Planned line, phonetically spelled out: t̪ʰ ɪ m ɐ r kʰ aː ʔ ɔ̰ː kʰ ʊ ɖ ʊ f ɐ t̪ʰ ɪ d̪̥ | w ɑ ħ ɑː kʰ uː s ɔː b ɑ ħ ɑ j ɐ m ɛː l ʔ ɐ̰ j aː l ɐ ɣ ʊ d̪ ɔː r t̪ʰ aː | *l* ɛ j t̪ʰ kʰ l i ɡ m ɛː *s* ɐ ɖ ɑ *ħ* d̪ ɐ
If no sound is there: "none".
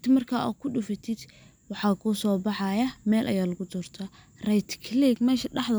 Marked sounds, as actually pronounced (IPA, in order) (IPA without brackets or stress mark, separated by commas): r, ʃ, ħ